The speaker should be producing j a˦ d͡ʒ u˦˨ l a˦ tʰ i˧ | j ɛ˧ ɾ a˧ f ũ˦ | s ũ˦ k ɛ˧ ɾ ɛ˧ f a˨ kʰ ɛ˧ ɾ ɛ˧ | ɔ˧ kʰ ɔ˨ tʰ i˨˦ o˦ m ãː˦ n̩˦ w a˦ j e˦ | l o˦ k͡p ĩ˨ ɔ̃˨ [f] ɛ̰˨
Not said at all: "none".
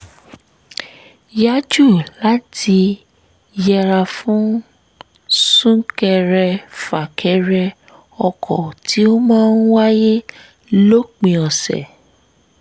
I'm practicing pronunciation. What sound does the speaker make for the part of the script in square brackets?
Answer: s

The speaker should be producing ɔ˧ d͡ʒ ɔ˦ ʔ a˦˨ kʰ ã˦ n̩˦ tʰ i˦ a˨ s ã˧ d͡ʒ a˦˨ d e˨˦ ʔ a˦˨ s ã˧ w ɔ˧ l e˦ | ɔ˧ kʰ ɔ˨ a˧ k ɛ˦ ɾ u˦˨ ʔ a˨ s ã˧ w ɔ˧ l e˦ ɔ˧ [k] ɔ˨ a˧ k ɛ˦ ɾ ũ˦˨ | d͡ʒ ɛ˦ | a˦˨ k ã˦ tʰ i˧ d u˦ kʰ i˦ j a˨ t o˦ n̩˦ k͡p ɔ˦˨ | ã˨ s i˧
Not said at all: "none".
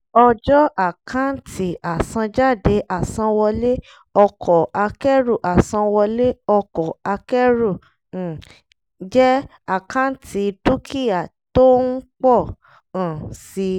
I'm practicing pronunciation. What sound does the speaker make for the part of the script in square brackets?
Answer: k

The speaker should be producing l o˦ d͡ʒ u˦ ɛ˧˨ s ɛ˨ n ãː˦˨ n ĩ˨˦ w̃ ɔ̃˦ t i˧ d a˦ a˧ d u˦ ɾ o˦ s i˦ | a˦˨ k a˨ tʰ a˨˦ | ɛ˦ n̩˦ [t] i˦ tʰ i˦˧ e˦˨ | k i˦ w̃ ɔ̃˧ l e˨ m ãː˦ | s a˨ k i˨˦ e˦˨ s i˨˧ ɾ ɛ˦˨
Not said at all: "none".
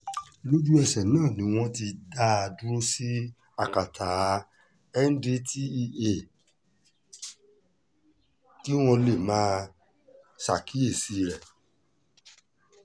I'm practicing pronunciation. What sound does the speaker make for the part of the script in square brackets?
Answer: d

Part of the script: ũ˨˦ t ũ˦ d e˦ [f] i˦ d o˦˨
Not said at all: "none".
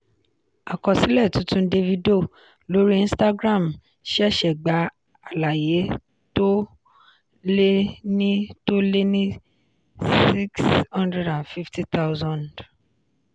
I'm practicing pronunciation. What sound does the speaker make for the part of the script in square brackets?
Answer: v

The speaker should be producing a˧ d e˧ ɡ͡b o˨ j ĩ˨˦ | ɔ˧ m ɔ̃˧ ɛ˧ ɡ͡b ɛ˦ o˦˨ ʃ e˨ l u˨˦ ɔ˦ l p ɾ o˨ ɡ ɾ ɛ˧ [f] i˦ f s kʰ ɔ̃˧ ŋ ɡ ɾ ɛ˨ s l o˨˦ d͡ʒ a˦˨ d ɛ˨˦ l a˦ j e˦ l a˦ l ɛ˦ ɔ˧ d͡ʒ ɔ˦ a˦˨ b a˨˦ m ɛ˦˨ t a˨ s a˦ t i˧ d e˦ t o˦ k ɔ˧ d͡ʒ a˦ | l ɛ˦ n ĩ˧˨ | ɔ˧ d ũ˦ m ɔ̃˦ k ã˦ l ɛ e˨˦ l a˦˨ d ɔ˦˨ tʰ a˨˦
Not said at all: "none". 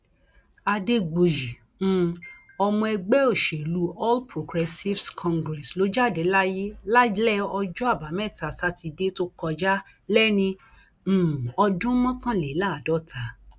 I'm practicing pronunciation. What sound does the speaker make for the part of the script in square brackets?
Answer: s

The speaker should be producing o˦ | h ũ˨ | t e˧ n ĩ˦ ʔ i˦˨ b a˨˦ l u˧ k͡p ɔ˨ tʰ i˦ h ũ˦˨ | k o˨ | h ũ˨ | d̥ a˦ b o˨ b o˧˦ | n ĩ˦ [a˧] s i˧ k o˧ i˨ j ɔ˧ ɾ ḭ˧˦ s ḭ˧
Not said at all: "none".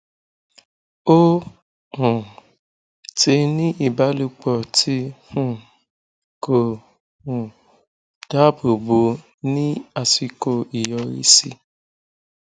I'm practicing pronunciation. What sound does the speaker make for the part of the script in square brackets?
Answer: a˧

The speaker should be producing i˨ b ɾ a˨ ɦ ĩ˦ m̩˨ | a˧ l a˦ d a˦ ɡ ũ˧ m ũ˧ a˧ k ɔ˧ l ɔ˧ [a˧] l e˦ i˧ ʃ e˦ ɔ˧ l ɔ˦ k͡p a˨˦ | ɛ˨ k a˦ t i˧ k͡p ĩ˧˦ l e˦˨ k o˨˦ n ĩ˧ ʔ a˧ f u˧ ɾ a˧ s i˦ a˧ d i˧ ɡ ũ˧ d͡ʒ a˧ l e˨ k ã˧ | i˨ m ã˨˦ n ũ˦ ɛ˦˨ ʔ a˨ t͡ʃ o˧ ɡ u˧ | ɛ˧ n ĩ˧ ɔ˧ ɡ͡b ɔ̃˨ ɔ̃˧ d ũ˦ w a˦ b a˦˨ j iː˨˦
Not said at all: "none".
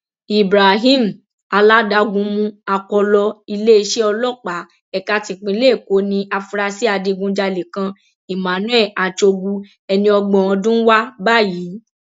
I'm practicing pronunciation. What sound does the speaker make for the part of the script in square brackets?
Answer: i˧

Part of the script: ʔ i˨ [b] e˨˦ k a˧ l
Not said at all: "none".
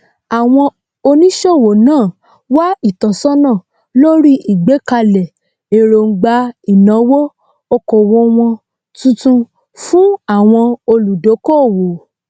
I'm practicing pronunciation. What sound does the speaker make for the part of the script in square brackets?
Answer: ɡ͡b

